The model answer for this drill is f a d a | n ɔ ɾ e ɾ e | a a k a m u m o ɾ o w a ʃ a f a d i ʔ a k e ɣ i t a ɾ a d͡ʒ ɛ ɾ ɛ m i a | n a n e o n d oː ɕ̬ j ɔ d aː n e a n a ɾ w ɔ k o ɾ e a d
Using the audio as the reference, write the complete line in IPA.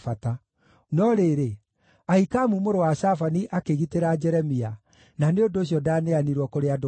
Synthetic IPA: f a t a | n ɔ ɾ e ɾ e | a i k a m u m o ɾ o w a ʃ a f a n i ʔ a k e ɣ i t e ɾ a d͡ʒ ɛ ɾ ɛ m i a | n a n e o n d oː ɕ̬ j ɔ d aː n e a n i ɾ w ɔ k o ɾ e a d

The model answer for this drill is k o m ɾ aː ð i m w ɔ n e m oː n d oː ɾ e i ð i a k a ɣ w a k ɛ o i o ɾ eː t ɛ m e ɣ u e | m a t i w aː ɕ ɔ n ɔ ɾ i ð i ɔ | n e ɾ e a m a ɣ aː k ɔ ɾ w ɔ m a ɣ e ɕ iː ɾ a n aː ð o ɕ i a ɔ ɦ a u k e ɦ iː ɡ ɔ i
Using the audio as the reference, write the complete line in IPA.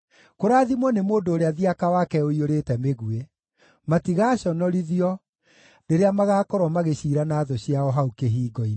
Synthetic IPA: k o ɾ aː ð i m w ɔ n e m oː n d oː ɾ e a ð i a k a w a k ɛ o i o ɾ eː t ɛ m e ɣ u e | m a t i ɣ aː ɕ ɔ n ɔ ɾ i ð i ɔ | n e ɾ e a m a ɣ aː k ɔ ɾ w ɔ m a ɣ e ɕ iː ɾ a n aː ð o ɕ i a ɔ ɦ a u k e ɦ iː ɡ ɔ i

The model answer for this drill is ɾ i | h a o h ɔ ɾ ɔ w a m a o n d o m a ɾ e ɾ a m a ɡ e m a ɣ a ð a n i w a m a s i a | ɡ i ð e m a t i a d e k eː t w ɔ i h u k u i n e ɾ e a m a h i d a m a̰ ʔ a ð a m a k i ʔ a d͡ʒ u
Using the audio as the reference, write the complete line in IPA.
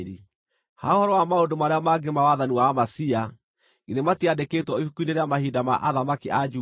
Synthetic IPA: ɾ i | h a o h ɔ ɾ ɔ w a m a o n d o m a ɾ e a m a ɡ e m a w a ð a n i w a m a s i a | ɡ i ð e m a t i a d e k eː t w ɔ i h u k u i n e ɾ e a m a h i d a m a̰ ʔ a ð a m a k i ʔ a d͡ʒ u

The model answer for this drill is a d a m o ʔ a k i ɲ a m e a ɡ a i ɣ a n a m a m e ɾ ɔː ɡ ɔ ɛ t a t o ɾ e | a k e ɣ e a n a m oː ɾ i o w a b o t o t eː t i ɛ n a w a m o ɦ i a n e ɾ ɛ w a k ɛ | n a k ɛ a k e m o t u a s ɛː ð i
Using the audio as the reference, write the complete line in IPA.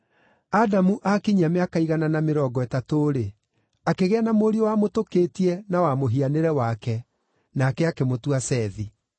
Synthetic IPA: a d a m u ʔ a k i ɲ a m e a k a i ɣ a n a n a m e ɾ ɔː ɡ ɔ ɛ t a t o ɾ e | a k e ɣ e a n a m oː ɾ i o w a m o t o k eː t i ɛ n a w a m o ɦ i a n e ɾ ɛ w a k ɛ | n a k ɛ a k e m o t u a s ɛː ð i

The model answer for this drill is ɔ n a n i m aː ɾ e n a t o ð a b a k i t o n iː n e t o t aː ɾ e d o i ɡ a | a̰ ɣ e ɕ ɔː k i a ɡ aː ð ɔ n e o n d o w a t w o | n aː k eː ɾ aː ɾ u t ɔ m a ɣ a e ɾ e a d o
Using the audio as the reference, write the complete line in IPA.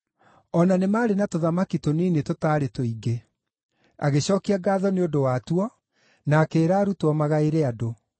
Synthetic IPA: ɔ n a n e m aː ɾ e n a t o ð a m a k i t o n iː n e t o t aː ɾ e t o i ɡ e | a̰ ɣ e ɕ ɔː k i a ɡ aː ð ɔ n e o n d o w a t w ɔ | n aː k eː ɾ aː ɾ u t ɔ m a ɣ a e ɾ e a d o

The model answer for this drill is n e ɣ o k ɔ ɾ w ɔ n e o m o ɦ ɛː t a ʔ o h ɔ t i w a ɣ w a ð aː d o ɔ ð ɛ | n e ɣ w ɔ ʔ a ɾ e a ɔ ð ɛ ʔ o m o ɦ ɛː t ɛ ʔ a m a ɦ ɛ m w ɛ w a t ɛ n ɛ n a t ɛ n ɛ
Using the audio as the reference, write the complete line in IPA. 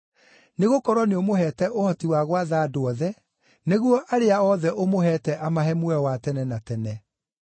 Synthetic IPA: n e ɣ o k ɔ ɾ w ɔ n e o m o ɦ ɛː t ɛ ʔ o h ɔ t i w a ɣ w a ð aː d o ɔ ð ɛ | n e ɣ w ɔ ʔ a ɾ e a ɔ ð ɛ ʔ o m o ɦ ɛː t ɛ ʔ a m a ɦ ɛ m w ɛ w a t ɛ n ɛ n a t ɛ n ɛ

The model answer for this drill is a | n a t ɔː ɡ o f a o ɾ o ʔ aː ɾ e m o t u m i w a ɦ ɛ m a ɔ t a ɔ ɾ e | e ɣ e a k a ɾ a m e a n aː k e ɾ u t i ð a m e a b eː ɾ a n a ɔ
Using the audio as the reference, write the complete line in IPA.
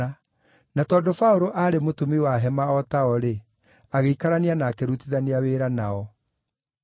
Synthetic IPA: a | n a t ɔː d o f a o ɾ o ʔ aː ɾ e m o t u m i w a ɦ ɛ m a ɔ t a ɔ ɾ e | a ɣ e i k a ɾ a n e a n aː k e ɾ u t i ð a n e a w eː ɾ a n a ɔ

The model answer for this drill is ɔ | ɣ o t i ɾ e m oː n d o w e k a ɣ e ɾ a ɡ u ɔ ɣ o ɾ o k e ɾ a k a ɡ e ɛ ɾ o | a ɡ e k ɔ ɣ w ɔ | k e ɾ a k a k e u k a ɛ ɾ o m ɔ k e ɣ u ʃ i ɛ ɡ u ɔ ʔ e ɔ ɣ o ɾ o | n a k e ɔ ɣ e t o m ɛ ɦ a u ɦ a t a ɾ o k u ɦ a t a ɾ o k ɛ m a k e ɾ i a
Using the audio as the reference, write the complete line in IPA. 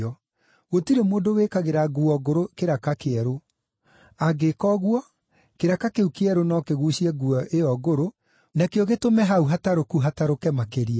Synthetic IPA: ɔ | ɣ o t i ɾ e m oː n d o w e k a ɣ e ɾ a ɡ u ɔ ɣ o ɾ o k e ɾ a k a k e ɛ ɾ o | a ɡ e k ɔ ɣ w ɔ | k e ɾ a k a k e u k e ɛ ɾ o n ɔ k e ɣ u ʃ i ɛ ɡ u ɔ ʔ e ɔ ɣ o ɾ o | n a k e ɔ ɣ e t o m ɛ ɦ a u ɦ a t a ɾ o k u ɦ a t a ɾ o k ɛ m a k e ɾ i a

